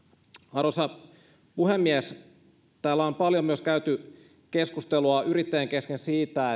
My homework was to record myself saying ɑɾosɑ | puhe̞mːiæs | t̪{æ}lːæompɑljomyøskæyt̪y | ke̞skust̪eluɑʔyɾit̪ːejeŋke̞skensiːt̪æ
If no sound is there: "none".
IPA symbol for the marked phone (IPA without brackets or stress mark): æː